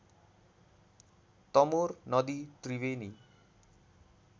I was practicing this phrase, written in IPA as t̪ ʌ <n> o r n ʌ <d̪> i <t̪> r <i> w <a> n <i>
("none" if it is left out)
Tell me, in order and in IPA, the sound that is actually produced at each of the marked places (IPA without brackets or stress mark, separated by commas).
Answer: m, d̪, t̪, i, e, i